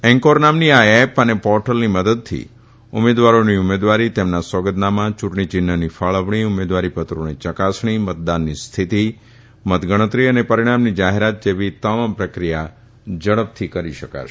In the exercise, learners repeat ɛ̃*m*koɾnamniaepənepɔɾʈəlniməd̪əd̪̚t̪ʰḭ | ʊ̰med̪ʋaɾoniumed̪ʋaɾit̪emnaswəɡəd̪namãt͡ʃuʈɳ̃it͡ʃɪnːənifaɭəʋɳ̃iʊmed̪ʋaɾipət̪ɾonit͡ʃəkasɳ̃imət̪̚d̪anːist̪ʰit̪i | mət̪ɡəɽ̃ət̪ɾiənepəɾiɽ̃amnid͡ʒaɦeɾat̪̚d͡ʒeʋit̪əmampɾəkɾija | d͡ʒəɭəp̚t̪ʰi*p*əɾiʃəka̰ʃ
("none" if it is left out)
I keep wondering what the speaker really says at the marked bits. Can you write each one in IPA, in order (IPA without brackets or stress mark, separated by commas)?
ŋ, k